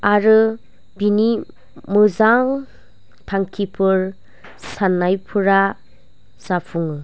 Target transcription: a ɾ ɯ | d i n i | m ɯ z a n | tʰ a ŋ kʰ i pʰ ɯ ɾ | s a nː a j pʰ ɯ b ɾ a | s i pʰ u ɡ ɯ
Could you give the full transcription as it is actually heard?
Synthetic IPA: a ɾ ɯ | b i n i | m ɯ z a ŋ | tʰ a ŋ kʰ i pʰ ɯ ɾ | s a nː a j pʰ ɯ ɾ a | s a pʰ u ŋ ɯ